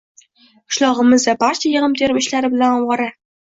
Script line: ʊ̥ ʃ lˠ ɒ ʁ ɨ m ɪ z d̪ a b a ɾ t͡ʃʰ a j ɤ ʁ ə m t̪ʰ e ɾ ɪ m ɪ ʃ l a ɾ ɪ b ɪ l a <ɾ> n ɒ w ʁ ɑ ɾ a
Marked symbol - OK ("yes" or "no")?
no